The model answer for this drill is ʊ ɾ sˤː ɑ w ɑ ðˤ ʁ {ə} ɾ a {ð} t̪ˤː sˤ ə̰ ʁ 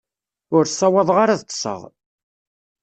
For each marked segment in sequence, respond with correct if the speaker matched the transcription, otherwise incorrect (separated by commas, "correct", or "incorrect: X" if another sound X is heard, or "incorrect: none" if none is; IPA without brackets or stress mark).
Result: incorrect: a, correct